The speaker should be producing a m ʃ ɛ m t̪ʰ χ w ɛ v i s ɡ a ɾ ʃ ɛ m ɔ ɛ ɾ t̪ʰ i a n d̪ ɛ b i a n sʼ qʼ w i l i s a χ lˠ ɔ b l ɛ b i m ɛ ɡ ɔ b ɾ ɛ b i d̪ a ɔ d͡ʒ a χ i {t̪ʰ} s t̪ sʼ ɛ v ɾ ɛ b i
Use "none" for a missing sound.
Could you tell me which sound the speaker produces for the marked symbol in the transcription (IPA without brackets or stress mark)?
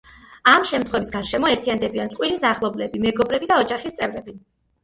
none